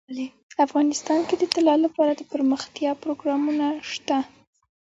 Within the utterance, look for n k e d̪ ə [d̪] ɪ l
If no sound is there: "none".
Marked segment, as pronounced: t̪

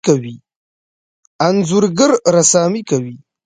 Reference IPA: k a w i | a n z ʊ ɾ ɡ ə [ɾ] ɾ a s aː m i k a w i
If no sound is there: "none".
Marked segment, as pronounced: ɾ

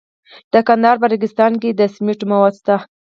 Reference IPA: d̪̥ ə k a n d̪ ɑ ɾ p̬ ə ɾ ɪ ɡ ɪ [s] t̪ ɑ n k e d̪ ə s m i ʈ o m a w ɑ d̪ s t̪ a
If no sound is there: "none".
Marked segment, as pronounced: s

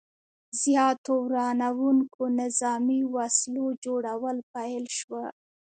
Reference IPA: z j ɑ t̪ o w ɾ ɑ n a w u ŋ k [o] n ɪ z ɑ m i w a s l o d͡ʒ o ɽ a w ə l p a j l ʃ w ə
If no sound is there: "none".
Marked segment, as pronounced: o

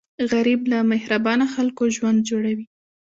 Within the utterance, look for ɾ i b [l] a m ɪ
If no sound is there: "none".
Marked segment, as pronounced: l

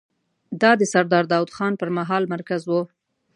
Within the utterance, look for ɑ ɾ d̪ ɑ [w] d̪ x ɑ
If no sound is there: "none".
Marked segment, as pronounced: w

